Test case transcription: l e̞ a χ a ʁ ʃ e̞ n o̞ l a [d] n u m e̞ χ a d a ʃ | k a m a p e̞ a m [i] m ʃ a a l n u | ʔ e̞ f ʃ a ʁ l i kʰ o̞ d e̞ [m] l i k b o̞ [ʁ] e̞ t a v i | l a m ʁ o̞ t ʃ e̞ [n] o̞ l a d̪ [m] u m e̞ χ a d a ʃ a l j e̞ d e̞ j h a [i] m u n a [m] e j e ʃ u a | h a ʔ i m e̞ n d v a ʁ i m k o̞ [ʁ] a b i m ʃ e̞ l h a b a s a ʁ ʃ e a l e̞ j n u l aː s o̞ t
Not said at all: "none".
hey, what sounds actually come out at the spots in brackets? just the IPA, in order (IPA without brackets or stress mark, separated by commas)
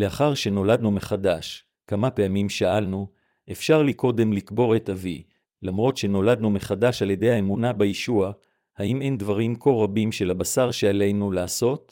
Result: d, i, m, ʁ, n, n, e, b, ʁ